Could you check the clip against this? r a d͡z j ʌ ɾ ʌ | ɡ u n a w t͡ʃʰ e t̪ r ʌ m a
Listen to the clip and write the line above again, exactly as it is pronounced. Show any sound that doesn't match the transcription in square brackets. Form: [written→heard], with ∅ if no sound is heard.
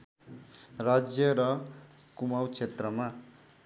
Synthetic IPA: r a d͡z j ʌ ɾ ʌ | [ɡ→k] u [n→m] a w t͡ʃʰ e t̪ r ʌ m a